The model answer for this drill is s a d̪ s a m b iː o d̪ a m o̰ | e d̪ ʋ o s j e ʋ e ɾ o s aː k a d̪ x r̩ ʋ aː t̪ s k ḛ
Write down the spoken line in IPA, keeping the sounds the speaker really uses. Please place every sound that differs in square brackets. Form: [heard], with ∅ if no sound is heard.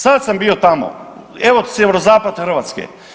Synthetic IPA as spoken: s a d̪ s a m b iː o [t̪] a m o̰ | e [∅] ʋ o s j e ʋ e ɾ o [z] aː [p] a d̪ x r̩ ʋ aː t̪ s k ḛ